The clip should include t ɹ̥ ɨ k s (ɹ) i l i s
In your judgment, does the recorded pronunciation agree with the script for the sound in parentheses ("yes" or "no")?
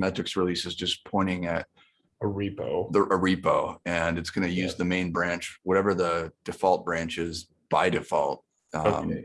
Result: yes